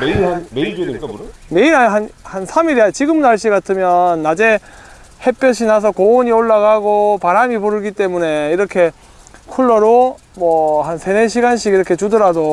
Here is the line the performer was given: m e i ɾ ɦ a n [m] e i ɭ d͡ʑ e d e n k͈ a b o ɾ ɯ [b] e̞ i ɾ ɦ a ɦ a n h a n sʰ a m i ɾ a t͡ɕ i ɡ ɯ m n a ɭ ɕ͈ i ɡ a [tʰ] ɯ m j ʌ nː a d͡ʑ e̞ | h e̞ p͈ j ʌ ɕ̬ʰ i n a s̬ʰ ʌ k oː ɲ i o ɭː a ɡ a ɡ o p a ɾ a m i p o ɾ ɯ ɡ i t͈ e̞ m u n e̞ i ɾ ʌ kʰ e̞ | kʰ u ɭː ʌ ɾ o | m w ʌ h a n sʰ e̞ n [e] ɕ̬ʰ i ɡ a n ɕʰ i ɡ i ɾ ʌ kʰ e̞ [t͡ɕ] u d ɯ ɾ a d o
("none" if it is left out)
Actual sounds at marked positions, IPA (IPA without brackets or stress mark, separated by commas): m, m, tʰ, e, t͡ɕ